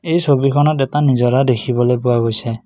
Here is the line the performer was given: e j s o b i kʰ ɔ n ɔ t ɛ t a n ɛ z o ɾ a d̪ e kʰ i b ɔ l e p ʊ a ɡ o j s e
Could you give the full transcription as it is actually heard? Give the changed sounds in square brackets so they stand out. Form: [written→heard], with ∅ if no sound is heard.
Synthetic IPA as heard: e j s o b i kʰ ɔ n ɔ t ɛ t a n [ɛ→i] z [o→ɔ] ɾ a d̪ e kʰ i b ɔ l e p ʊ a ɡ o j s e